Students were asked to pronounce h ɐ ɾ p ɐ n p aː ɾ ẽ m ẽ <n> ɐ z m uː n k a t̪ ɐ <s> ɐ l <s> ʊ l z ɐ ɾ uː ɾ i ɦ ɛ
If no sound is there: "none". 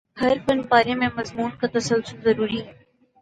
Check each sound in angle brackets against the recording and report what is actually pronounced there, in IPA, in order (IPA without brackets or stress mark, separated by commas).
m, s, s